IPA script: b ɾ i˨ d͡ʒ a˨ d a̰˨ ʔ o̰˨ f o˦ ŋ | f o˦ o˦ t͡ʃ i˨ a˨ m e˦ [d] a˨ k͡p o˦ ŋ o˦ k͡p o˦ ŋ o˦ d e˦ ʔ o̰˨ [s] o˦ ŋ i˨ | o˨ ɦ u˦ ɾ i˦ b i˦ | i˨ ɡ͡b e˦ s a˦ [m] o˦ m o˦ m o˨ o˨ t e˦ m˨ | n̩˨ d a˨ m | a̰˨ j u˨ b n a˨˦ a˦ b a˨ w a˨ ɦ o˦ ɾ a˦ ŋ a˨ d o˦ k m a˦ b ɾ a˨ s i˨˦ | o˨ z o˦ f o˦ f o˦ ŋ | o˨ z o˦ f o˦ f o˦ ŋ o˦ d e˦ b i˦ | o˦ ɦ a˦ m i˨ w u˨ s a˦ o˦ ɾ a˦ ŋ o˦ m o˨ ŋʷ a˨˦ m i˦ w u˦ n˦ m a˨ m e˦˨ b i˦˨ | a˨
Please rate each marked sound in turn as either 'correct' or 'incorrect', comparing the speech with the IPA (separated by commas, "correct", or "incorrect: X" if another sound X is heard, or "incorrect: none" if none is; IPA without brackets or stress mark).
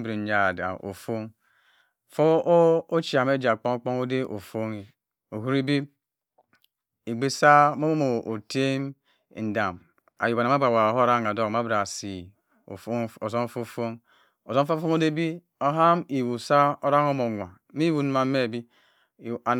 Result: incorrect: d͡ʒ, incorrect: f, correct